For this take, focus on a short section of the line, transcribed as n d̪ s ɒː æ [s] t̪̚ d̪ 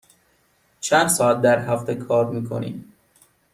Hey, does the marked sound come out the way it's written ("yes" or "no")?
no